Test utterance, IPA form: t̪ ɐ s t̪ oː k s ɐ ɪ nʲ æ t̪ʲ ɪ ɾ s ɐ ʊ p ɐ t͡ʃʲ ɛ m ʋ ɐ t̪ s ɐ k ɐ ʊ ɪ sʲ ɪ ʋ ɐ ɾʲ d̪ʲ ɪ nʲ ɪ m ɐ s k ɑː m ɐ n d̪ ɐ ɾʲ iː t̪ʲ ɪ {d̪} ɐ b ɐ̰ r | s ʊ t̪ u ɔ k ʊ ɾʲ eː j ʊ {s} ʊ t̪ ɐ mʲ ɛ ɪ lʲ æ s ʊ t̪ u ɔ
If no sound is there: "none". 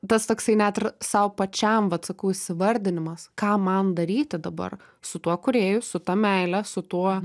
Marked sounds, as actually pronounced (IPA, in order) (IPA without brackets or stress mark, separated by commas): d̪, s